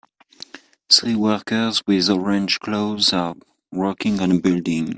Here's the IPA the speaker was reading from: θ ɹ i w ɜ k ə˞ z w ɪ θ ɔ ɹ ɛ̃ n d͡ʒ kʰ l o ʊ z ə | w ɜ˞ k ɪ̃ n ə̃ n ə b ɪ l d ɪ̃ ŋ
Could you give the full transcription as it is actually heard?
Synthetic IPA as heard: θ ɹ i w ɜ k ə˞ z w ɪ ð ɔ ɹ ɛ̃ n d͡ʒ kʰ l o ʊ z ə | w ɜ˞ k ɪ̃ ŋ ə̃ n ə b ɪ l d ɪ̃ ŋ